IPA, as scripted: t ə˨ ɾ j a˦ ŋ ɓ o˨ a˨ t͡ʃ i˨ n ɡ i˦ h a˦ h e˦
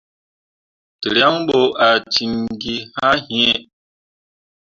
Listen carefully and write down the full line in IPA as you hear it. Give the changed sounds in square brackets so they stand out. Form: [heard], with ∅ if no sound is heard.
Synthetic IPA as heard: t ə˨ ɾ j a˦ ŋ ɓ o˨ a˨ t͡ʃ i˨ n ɡ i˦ h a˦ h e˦